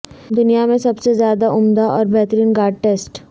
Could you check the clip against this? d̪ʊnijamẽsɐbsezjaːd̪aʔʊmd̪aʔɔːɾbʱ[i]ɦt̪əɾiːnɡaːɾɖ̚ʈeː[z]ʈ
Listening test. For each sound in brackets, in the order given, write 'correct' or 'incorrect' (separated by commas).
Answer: incorrect, incorrect